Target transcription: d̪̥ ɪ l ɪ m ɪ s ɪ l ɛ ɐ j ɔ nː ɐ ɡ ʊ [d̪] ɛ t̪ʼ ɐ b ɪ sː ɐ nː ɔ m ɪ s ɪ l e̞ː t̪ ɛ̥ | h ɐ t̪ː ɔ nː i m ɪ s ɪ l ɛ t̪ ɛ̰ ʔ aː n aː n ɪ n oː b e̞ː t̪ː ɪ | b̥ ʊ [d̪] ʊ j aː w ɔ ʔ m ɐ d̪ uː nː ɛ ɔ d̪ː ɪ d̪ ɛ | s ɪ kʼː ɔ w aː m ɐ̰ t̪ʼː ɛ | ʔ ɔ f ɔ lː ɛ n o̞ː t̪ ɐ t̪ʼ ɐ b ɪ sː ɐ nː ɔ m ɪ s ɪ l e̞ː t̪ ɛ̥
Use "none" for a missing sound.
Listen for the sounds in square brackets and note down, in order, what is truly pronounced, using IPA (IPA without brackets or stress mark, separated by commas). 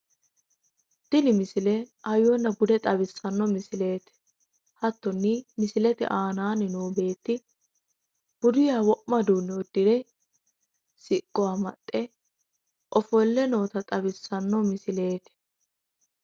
d̪, d̪